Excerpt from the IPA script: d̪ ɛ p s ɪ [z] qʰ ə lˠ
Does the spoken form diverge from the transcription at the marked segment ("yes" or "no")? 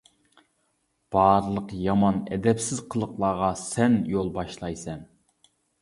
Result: no